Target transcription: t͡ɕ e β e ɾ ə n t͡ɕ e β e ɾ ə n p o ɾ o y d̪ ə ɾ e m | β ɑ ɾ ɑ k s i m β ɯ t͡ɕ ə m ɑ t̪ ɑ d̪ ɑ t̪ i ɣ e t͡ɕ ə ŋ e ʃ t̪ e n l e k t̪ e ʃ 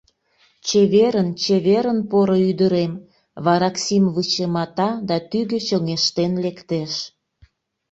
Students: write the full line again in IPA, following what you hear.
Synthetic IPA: t͡ɕ e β e ɾ ə n t͡ɕ e β e ɾ ə n p o ɾ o y d̪ ə ɾ e m | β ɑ ɾ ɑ k s i m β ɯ t͡ɕ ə m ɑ t̪ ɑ d̪ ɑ t̪ y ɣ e t͡ɕ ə ŋ e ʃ t̪ e n l e k t̪ e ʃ